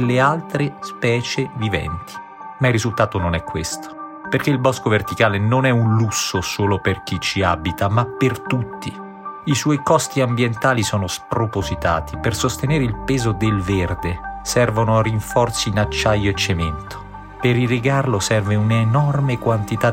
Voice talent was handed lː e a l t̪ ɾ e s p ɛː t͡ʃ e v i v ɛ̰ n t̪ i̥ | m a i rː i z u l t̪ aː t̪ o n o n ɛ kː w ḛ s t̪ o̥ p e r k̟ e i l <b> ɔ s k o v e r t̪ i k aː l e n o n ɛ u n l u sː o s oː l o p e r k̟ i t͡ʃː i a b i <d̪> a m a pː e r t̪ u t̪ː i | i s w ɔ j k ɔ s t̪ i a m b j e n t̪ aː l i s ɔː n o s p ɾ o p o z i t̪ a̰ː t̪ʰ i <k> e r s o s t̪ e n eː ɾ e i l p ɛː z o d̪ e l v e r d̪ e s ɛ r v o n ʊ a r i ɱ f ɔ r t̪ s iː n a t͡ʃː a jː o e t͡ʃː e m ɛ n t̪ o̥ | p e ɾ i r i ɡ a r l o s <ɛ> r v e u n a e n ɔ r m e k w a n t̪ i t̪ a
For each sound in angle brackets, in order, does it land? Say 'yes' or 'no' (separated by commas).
yes, no, no, yes